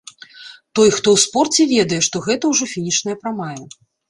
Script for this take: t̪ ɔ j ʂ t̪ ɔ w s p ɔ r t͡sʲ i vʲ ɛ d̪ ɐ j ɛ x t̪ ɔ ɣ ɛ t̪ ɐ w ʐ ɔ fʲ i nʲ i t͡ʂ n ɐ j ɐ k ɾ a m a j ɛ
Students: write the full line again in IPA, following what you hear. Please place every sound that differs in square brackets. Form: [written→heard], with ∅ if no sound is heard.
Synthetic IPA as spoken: t̪ ɔ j [ʂ→x] t̪ ɔ w s p ɔ r t͡sʲ [i→ɛ] vʲ ɛ d̪ ɐ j ɛ [x→ʂ] t̪ ɔ ɣ ɛ t̪ ɐ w ʐ ɔ fʲ i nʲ i t͡ʂ n ɐ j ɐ [k→p] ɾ a m a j ɛ